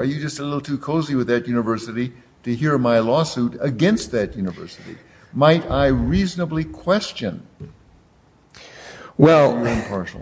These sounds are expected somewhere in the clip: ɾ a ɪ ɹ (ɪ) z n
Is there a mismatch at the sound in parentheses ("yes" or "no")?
yes